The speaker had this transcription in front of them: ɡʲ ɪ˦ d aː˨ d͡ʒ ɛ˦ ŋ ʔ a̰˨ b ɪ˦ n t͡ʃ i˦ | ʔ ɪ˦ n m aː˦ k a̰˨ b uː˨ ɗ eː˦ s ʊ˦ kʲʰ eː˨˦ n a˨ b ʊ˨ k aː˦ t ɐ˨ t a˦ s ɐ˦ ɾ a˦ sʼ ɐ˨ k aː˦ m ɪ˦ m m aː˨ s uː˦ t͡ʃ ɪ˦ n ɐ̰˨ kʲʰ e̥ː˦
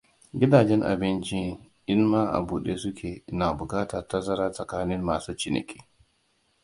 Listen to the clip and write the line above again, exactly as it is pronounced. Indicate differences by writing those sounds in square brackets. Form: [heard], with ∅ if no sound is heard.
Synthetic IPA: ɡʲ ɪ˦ d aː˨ d͡ʒ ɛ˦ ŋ ʔ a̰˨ b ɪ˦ n t͡ʃ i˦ | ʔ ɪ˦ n m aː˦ [ʔ] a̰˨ b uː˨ ɗ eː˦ s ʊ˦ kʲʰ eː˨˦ n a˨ b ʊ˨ k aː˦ t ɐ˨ t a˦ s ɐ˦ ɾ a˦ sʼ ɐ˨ k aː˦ [n] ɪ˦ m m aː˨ s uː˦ t͡ʃ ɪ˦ n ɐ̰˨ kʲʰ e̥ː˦